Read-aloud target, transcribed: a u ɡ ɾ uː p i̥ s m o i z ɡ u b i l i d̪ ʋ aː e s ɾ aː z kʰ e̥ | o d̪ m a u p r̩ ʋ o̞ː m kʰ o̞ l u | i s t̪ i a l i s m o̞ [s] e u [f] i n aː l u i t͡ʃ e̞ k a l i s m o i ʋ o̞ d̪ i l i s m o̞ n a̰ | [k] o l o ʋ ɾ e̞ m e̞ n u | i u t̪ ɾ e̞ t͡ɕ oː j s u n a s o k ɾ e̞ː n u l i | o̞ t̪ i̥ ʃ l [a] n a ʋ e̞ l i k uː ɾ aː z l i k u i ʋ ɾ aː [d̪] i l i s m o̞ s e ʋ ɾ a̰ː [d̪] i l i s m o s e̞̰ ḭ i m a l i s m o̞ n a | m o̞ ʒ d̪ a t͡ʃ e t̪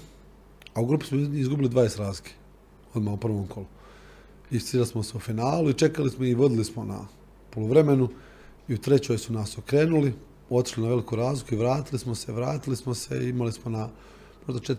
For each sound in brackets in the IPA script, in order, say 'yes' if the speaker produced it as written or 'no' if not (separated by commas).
yes, yes, no, no, no, no